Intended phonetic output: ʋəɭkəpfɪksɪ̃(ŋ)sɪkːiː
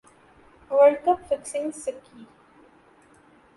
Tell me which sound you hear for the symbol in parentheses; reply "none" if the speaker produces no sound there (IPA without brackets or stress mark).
ŋ